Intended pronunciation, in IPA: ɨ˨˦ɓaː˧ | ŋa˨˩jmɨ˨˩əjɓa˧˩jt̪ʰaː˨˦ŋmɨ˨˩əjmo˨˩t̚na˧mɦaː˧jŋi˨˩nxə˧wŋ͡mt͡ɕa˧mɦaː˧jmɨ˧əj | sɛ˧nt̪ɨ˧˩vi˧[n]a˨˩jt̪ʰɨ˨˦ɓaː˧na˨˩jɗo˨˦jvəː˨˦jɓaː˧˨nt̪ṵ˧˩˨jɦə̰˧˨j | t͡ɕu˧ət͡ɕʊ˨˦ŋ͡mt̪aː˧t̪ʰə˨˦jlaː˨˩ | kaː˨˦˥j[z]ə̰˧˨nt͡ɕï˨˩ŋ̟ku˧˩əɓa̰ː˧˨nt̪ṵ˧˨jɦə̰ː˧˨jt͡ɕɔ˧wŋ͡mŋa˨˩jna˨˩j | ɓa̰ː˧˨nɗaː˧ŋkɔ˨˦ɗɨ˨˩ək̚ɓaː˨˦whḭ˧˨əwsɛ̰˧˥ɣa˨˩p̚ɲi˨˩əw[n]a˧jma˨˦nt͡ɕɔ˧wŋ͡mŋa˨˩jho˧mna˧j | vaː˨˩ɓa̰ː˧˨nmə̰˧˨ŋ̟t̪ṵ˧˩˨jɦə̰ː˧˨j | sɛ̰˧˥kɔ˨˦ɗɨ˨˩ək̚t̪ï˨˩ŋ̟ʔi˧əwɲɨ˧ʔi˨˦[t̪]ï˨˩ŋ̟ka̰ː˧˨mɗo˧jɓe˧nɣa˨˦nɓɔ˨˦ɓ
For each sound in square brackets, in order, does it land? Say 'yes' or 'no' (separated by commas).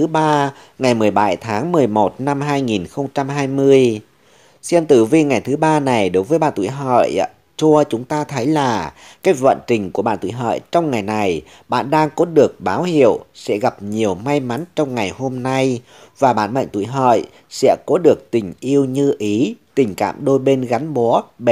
no, no, no, yes